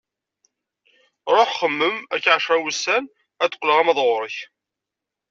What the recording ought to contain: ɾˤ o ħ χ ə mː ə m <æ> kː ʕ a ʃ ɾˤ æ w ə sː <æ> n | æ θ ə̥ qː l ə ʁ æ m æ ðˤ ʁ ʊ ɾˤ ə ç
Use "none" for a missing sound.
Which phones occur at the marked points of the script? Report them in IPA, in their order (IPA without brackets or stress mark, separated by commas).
æ, æ